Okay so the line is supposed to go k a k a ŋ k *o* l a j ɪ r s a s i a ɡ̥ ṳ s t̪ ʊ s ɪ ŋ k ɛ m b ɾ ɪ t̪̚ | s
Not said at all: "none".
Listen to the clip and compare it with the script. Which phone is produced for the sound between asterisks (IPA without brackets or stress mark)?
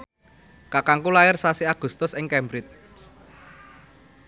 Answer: u